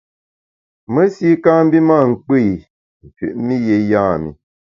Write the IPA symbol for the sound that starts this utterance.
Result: m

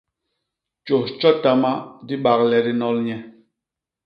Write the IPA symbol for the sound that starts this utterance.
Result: t͡ʃ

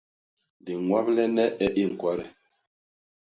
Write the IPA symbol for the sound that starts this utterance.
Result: d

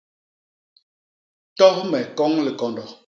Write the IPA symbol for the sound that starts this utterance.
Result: t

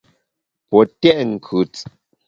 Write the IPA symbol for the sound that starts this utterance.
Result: p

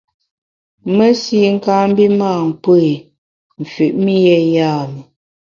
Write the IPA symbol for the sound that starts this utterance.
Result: m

